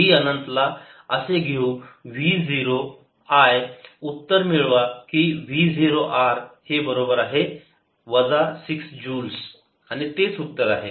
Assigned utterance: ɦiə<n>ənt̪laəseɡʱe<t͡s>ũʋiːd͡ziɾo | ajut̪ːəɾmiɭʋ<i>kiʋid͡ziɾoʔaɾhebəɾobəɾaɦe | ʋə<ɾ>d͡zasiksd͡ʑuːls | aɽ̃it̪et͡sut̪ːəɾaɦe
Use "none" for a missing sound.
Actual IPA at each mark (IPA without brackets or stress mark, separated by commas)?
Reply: n, none, a, none